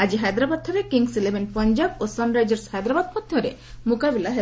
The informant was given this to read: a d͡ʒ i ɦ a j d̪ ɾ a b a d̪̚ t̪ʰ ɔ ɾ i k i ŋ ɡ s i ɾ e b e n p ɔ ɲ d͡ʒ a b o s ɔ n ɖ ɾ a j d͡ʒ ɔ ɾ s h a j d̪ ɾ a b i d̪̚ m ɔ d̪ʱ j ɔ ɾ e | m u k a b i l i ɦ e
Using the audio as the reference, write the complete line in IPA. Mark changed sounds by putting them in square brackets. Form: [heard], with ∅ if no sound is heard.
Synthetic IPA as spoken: a d͡ʒ i ɦ a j d̪ ɾ a b a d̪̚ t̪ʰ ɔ ɾ [e] k i ŋ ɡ s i [l] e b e n p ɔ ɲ d͡ʒ a b o s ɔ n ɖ ɾ a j d͡ʒ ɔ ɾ s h a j d̪ ɾ a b [a] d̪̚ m ɔ d̪ʱ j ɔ ɾ e | m u k a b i l [a] ɦ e

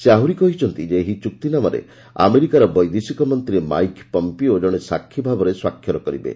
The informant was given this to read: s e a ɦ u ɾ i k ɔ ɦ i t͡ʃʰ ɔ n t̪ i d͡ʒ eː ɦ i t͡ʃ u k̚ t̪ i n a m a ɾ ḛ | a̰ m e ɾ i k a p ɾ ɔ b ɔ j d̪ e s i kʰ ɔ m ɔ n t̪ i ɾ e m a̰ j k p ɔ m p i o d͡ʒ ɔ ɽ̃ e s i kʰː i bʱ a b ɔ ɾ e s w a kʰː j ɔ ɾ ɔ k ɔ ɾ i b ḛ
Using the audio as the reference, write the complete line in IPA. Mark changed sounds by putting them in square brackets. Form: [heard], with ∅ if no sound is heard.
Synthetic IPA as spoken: s e a ɦ u ɾ i k ɔ ɦ i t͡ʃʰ ɔ n t̪ i d͡ʒ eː ɦ i t͡ʃ u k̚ t̪ i n a m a ɾ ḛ | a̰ m e ɾ i k a [∅] ɾ ɔ b ɔ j d̪ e s i [k] ɔ m ɔ n t̪ i ɾ e m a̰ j k p ɔ m p i o d͡ʒ ɔ ɽ̃ e s [a] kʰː i bʱ a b ɔ ɾ e s w a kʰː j ɔ ɾ ɔ k ɔ ɾ i b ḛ

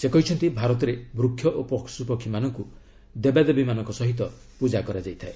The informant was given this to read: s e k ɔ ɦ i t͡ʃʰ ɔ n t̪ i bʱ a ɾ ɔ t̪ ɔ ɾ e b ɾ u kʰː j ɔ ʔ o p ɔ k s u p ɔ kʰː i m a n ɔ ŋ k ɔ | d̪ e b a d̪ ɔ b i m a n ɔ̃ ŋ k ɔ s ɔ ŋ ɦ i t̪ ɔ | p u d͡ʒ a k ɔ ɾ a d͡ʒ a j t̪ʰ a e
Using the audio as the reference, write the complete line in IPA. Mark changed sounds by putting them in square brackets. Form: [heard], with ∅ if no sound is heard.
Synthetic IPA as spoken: s e k ɔ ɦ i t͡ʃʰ ɔ n t̪ i bʱ a ɾ ɔ t̪ ɔ ɾ e b ɾ u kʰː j ɔ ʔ o p ɔ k s u p ɔ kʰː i m a n ɔ ŋ k [u] | d̪ e b a d̪ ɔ b i m a n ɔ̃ ŋ k ɔ s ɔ [∅] ɦ i t̪ ɔ | p u d͡ʒ a k ɔ ɾ a d͡ʒ a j t̪ʰ a e

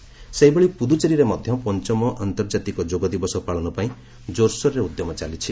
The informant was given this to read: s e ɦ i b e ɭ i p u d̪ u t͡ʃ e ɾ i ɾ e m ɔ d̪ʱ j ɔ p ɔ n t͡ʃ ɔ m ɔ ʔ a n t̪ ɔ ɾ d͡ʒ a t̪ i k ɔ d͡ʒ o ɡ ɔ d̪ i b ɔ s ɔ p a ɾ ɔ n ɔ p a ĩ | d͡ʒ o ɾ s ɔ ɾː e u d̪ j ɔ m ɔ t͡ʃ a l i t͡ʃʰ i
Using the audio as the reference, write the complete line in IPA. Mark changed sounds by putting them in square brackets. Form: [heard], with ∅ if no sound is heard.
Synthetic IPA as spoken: s e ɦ i b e ɭ i p u d̪ u t͡ʃ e ɾ i ɾ e m ɔ d̪ʱ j ɔ p ɔ n t͡ʃ ɔ m ɔ ʔ a n t̪ ɔ ɾ d͡ʒ a t̪ i k ɔ d͡ʒ o ɡ ɔ d̪ i b ɔ s ɔ p a [ɭ] ɔ n ɔ p a ĩ | d͡ʒ o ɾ s ɔ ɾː e u d̪ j ɔ m ɔ t͡ʃ a l i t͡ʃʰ i

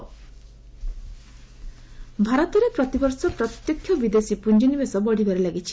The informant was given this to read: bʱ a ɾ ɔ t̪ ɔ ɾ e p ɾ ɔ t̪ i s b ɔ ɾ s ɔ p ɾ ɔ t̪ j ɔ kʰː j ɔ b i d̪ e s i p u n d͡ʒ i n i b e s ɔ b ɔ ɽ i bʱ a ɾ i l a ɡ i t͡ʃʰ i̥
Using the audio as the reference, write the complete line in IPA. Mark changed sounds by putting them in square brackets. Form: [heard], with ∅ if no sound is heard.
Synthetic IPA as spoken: bʱ a ɾ ɔ t̪ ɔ ɾ e p ɾ ɔ t̪ i [∅] b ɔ ɾ s ɔ p ɾ ɔ t̪ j ɔ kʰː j ɔ b i d̪ e s i p u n d͡ʒ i n i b e s ɔ b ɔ ɽ i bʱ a ɾ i l a ɡ i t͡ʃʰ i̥

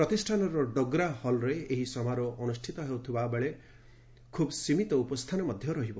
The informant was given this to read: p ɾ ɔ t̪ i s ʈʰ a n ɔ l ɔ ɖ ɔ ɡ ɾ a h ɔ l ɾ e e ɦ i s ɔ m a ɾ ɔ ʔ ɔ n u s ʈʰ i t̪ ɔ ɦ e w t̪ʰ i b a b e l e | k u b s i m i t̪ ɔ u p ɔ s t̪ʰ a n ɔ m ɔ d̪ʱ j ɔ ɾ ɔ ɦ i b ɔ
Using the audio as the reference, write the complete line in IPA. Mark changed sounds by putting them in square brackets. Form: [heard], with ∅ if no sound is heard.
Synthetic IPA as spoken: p ɾ ɔ t̪ i s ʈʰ a n ɔ [ɾ] ɔ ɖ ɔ ɡ ɾ a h ɔ l ɾ e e ɦ i s ɔ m a ɾ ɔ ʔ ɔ n u s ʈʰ i t̪ ɔ ɦ e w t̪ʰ i b a b e [ɭ] e | [kʰ] u b s i m i t̪ ɔ u p ɔ s t̪ʰ a n ɔ m ɔ d̪ʱ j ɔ ɾ ɔ ɦ i b ɔ

